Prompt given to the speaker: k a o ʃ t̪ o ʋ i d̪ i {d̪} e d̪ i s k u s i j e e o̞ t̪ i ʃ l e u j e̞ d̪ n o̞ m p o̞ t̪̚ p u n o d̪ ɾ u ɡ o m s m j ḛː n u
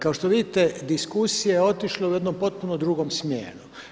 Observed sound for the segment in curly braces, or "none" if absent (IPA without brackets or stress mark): t̪